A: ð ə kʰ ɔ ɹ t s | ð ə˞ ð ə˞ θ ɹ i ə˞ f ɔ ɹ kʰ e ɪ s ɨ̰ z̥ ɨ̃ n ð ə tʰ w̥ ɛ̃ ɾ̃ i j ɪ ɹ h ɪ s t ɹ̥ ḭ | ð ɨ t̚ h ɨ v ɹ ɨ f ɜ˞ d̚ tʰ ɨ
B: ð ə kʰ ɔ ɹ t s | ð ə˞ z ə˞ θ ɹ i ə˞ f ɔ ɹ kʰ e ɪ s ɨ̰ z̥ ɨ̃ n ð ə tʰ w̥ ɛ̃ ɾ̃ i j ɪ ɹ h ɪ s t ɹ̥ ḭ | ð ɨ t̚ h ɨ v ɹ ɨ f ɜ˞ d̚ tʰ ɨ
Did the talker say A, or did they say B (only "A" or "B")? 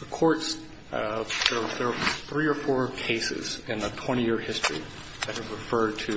A